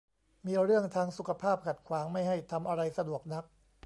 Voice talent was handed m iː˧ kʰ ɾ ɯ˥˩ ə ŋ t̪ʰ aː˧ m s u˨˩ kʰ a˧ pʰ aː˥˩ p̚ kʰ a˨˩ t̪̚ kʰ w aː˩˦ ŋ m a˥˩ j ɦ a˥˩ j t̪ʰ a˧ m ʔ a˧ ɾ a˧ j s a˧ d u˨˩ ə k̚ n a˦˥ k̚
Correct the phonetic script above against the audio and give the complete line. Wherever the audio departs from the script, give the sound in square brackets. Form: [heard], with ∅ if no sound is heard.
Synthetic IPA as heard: m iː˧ [∅] ɾ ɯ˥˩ ə ŋ t̪ʰ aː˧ [ŋ] s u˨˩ kʰ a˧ pʰ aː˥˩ p̚ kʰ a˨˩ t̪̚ kʰ w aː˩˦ ŋ m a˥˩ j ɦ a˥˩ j t̪ʰ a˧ m ʔ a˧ ɾ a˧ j s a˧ d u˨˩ ə k̚ n a˦˥ k̚